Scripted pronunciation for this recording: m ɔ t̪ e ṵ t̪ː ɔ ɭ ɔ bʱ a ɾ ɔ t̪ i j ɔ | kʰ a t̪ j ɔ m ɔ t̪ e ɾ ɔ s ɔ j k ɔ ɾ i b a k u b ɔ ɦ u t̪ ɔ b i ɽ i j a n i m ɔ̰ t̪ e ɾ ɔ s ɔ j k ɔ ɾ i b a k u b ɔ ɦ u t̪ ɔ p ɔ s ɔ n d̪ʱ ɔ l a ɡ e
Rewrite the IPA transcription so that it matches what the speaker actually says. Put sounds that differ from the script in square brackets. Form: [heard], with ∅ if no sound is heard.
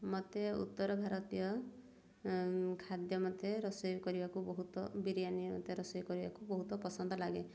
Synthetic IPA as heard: m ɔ t̪ e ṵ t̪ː ɔ [ɾ] ɔ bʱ a ɾ ɔ t̪ i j ɔ | kʰ a [d̪] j ɔ m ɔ t̪ e ɾ ɔ s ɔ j k ɔ ɾ i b a k u b ɔ ɦ u t̪ ɔ b i [ɾ] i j a n i m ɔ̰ t̪ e ɾ ɔ s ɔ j k ɔ ɾ i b a k u b ɔ ɦ u t̪ ɔ p ɔ s ɔ n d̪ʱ ɔ l a ɡ e